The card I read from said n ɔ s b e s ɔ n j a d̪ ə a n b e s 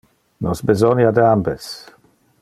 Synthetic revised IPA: n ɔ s b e z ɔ n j a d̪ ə a m b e s